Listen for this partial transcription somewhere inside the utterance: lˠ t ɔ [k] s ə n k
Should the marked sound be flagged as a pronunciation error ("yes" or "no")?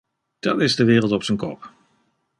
yes